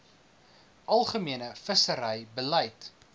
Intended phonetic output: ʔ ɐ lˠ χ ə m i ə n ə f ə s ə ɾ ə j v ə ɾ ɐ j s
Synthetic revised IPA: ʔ ɐ lˠ χ ə m i ə n ə f ə s ə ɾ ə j b ə l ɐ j t

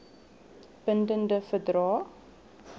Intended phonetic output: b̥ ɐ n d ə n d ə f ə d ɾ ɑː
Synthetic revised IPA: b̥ ə n d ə n d ə f ə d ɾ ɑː

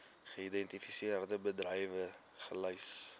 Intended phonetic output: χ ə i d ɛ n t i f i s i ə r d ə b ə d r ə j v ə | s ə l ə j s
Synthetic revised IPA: χ ə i d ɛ n t i f i s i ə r d ə b ə d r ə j v ə | χ ə l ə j s

